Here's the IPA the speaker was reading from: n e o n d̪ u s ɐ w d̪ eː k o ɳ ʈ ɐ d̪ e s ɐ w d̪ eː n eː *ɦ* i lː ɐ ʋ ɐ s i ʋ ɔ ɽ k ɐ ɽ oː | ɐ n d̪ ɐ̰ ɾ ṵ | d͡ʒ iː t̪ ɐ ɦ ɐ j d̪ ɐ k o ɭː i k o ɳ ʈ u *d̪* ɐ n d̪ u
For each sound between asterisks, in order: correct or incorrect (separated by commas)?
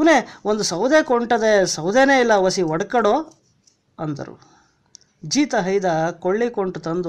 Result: incorrect, incorrect